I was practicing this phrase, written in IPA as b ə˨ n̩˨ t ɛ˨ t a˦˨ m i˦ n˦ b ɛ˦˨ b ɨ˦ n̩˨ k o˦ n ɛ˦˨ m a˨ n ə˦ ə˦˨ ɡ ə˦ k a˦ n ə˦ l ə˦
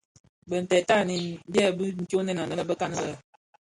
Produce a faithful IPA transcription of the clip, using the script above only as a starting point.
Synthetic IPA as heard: b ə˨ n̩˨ t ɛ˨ t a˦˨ n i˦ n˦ b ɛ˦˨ b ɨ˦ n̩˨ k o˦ n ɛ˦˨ n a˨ n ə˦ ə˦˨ b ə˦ k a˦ n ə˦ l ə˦

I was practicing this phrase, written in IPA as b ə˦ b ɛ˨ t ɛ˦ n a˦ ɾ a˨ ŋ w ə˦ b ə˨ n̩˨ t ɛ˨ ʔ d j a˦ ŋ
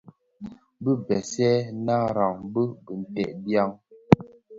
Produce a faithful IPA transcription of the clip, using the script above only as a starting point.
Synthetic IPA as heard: b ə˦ b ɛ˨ s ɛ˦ n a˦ ɾ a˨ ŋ b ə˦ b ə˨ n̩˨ t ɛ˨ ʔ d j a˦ ŋ

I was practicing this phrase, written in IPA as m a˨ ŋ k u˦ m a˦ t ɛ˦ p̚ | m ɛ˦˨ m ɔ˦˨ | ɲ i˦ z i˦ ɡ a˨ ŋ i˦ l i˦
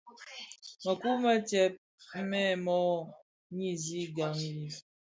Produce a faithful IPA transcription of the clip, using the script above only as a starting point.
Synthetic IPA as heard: m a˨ k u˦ m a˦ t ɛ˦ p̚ | m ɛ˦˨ m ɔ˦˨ | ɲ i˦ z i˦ ɡ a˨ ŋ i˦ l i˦

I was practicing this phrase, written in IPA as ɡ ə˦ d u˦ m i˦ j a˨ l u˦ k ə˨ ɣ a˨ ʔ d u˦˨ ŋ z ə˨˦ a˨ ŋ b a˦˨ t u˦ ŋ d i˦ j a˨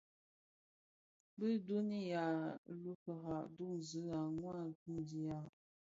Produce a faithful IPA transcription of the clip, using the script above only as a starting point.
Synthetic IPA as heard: b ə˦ d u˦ n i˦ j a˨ l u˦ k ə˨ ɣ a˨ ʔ d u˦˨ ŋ z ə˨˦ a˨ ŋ w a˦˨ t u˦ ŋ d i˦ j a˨

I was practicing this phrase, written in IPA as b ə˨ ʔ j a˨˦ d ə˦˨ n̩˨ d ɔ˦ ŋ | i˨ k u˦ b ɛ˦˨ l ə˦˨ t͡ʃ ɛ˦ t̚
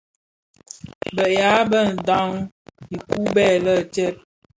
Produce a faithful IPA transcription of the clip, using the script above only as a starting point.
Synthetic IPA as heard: b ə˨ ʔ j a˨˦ b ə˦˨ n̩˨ d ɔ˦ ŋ | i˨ k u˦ b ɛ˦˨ l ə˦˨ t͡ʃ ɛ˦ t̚

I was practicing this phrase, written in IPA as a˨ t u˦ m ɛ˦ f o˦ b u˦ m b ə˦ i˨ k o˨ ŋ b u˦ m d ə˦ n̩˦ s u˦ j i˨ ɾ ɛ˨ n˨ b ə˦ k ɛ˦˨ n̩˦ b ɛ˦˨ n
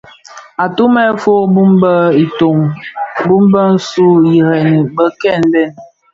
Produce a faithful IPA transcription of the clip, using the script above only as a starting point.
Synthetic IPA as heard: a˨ t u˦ m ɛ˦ f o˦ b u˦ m b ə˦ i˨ t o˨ ŋ b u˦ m b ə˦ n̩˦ s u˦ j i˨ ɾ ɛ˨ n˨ b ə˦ k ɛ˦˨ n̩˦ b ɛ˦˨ n

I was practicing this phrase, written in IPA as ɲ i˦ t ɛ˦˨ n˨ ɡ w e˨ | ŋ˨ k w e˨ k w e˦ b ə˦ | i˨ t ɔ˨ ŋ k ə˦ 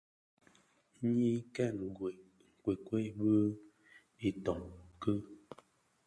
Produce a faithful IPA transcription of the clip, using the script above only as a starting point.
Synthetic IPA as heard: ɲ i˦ k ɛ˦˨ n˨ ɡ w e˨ | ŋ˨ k w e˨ k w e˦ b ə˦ | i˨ t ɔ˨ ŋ k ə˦

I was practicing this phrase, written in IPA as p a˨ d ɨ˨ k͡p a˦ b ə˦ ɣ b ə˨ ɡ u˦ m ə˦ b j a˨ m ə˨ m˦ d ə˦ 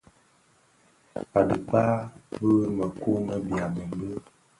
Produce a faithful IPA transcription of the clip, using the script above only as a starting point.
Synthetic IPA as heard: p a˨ d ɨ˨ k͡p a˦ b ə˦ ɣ m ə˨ k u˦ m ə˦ b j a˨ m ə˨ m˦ b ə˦

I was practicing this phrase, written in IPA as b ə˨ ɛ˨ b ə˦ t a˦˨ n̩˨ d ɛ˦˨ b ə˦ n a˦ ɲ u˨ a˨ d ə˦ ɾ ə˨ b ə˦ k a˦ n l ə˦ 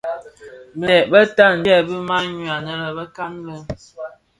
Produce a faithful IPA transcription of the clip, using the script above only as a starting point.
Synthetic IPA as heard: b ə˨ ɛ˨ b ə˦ t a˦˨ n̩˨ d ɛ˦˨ b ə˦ m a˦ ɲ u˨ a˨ n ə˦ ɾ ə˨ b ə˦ k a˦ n l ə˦

